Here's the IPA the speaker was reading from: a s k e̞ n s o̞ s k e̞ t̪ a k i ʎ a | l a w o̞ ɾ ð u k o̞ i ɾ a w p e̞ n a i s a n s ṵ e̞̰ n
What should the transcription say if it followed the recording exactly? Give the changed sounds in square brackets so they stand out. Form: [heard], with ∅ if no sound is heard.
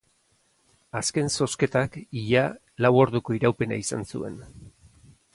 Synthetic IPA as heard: a s k e̞ n s o̞ s k e̞ t̪ a k i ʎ a | l a w o̞ ɾ ð u k o̞ i ɾ a w p e̞ n a i s a n s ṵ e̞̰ n

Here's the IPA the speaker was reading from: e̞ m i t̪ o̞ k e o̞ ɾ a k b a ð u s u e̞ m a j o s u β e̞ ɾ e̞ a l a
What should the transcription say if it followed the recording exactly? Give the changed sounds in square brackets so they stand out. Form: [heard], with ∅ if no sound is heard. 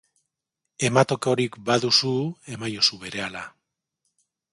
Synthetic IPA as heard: e̞ m [a] t̪ o̞ k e o̞ ɾ [i] k b a ð u s u e̞ m a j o s u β e̞ ɾ e̞ a l a

